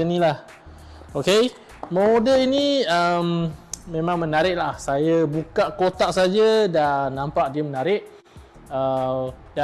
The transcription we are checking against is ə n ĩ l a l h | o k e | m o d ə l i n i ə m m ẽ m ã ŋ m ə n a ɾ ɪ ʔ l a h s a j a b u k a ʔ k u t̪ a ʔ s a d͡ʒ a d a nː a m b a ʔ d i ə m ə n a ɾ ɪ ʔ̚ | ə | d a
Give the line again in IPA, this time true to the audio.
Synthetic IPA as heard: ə n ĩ l a h | o k e | m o d ə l i n i ə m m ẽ m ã ŋ m ə n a ɾ ɪ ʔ l a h s a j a b u k a ʔ k o t̪ a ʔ s a d͡ʒ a d a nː a m p a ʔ d i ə m ə n a ɾ ɪ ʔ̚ | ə | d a